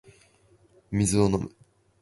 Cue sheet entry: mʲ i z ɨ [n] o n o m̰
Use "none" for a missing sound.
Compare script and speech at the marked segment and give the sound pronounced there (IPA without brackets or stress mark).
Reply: none